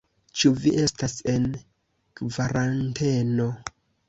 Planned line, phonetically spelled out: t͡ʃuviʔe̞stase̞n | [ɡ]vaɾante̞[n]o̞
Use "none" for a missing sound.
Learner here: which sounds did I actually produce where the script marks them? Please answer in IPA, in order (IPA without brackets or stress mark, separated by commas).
k, n